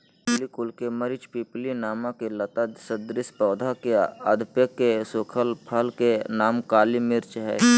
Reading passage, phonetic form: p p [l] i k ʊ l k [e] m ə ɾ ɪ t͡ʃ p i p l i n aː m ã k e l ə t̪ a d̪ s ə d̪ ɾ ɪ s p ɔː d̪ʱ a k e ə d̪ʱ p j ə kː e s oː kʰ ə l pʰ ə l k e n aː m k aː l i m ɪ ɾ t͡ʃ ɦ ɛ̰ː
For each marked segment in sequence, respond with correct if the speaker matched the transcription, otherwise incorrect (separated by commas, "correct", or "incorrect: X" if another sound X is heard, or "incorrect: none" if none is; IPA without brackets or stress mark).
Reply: correct, correct